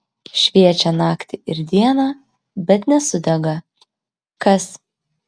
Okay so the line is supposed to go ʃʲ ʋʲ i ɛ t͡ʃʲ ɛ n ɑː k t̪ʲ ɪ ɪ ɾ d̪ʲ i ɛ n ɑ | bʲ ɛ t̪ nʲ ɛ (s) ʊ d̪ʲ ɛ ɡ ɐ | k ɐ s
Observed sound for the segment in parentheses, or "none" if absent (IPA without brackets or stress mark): s